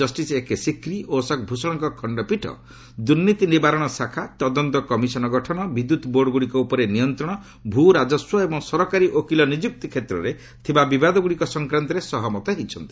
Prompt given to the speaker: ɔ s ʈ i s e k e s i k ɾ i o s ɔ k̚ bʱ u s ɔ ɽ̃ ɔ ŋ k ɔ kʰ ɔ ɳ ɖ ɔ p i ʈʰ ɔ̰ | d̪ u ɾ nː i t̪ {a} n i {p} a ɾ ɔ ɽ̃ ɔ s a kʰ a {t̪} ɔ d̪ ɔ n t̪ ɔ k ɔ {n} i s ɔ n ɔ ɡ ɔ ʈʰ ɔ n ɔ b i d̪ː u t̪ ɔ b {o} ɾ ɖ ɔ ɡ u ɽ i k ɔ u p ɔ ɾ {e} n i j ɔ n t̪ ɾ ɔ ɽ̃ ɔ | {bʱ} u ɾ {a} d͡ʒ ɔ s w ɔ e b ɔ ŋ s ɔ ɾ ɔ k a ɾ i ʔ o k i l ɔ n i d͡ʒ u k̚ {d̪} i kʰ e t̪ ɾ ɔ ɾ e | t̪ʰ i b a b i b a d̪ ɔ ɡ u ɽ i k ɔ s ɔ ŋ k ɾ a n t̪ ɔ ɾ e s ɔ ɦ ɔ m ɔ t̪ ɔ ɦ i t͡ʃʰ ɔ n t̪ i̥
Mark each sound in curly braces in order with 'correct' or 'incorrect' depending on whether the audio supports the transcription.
incorrect, incorrect, correct, incorrect, correct, correct, correct, correct, incorrect

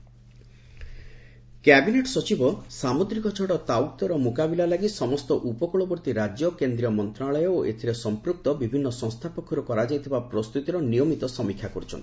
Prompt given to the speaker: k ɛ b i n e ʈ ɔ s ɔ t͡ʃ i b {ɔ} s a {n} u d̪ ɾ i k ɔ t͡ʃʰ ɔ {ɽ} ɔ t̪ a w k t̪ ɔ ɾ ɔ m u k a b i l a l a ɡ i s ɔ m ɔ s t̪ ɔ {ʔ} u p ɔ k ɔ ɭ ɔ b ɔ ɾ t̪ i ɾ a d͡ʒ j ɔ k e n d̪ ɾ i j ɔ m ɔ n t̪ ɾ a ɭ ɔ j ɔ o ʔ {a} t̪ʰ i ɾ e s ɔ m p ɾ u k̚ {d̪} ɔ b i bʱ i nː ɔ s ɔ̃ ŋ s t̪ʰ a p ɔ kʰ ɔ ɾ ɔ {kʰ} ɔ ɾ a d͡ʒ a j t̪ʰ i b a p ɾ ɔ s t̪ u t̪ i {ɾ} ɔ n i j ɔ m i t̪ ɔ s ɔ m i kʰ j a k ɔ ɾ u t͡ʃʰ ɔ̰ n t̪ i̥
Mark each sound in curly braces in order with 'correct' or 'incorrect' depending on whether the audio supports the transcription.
correct, incorrect, correct, correct, incorrect, incorrect, incorrect, correct

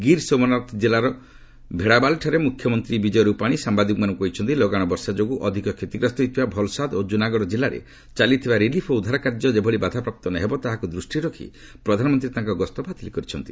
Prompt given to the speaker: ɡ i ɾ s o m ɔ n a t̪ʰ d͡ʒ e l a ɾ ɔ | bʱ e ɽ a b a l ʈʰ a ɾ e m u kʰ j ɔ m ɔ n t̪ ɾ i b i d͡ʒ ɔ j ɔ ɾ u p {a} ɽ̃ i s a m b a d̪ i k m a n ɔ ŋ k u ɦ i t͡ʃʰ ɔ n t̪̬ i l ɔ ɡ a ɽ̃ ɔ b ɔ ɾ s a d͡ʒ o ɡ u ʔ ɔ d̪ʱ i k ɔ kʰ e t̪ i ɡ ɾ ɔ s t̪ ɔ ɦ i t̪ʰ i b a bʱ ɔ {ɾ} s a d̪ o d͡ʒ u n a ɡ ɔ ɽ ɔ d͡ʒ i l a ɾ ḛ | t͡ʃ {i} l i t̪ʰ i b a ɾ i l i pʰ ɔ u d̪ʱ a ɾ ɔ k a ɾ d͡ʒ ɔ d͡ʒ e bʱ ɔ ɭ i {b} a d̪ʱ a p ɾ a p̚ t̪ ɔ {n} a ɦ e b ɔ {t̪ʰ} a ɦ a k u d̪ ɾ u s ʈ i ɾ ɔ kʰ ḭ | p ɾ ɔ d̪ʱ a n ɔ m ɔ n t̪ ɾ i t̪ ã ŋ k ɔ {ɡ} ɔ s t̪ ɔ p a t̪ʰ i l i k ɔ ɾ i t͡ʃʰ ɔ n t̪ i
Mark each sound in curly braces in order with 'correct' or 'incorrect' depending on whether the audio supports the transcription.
correct, incorrect, incorrect, correct, correct, incorrect, correct

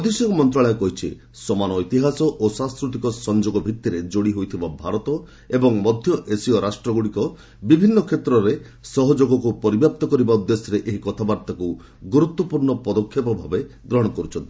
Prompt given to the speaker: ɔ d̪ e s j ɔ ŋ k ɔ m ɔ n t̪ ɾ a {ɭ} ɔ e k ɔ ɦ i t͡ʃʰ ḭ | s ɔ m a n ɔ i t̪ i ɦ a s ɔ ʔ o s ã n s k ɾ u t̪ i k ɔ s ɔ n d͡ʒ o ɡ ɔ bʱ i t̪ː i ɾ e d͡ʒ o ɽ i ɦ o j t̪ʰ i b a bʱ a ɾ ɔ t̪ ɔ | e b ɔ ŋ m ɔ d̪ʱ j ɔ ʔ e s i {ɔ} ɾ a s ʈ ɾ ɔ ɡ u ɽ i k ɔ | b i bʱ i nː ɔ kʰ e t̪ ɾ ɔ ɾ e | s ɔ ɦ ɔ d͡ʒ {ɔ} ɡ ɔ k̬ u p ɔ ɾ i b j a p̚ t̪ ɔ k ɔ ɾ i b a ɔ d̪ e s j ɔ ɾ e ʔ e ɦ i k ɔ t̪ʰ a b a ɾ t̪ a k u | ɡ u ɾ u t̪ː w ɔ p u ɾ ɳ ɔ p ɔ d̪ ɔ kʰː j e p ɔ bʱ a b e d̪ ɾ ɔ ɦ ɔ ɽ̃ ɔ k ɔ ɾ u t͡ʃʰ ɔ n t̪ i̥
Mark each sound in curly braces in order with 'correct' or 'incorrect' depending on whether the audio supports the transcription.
correct, correct, incorrect

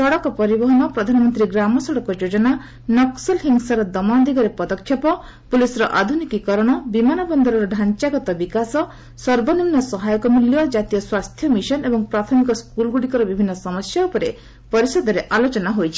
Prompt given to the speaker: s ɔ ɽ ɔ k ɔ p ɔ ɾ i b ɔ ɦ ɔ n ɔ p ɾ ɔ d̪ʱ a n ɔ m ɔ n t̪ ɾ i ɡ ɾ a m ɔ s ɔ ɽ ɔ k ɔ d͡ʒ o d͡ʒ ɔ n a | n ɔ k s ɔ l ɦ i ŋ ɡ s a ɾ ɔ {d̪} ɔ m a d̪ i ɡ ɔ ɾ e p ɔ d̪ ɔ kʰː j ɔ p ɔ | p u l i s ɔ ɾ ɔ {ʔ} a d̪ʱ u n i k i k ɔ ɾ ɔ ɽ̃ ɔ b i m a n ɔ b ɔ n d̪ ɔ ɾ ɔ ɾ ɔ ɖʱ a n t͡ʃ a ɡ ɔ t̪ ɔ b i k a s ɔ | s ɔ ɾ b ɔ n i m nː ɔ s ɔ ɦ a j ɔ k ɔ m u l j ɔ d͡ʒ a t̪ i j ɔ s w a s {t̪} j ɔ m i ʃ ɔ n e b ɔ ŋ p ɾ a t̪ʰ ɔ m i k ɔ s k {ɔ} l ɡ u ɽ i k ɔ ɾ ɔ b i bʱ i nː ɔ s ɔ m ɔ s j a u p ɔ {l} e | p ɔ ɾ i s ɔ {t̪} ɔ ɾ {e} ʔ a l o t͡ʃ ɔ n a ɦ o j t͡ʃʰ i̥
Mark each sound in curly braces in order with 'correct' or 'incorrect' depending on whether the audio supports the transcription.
correct, correct, incorrect, incorrect, incorrect, incorrect, correct

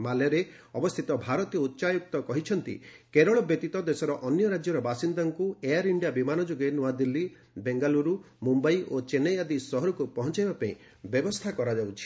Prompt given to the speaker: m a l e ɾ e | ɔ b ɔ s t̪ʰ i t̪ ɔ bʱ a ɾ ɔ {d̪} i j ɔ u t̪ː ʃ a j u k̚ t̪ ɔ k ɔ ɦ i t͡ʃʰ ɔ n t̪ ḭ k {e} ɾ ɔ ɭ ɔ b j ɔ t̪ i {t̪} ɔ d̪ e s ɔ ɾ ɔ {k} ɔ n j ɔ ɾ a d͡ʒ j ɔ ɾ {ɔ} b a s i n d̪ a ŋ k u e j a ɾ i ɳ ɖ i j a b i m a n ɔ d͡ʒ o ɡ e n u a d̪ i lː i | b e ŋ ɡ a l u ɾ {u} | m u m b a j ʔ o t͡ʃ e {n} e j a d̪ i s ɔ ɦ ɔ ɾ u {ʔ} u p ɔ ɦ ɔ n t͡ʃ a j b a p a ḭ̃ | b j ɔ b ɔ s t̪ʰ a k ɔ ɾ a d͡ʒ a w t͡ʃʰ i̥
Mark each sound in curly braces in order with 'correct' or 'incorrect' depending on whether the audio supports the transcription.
incorrect, correct, correct, incorrect, correct, correct, correct, incorrect

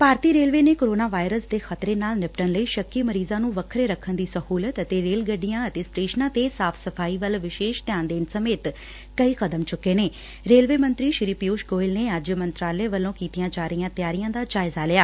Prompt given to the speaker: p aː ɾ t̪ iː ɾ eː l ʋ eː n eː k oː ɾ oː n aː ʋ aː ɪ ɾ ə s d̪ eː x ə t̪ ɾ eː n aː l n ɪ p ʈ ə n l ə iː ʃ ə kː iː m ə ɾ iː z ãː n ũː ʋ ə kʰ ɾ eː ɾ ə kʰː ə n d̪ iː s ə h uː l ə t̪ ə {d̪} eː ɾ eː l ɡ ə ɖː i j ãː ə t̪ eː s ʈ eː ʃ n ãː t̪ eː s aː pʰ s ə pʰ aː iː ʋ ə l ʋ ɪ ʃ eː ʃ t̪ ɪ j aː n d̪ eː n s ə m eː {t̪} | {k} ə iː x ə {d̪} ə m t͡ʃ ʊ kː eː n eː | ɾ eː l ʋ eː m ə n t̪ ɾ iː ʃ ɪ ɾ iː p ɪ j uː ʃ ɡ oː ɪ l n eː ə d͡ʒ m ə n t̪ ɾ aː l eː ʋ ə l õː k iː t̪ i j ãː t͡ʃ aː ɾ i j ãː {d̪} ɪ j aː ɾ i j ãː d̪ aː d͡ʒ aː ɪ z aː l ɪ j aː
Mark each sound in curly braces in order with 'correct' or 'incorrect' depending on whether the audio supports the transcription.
incorrect, correct, correct, correct, incorrect

